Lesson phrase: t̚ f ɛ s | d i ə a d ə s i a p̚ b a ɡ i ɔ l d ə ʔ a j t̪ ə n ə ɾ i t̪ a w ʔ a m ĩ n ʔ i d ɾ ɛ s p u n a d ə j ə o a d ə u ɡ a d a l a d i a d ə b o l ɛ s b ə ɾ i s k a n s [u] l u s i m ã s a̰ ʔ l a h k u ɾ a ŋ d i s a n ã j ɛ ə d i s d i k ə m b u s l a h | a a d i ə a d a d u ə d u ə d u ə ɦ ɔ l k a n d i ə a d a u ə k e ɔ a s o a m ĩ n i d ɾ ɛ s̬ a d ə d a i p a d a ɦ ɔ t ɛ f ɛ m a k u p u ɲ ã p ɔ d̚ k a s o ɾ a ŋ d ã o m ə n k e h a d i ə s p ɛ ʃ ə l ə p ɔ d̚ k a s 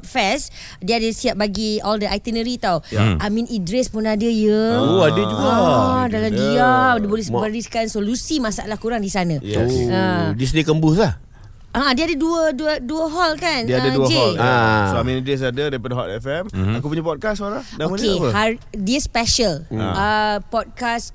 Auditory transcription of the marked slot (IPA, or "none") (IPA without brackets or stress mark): o